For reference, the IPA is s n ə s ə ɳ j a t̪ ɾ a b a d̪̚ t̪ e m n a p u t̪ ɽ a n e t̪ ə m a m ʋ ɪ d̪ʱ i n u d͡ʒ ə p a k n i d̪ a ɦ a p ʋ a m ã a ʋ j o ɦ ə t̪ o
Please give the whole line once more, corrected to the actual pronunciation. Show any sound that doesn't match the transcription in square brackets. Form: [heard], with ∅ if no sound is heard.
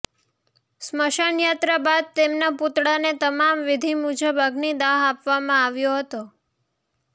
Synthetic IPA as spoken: s [m] ə [ʃ] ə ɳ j a t̪ ɾ a b a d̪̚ t̪ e m n a p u t̪ ɽ a n e t̪ ə m a m ʋ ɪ d̪ʱ i [m] u d͡ʒ ə [b] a [ɡ] n i d̪ a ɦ a p ʋ a m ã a ʋ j o ɦ ə t̪ o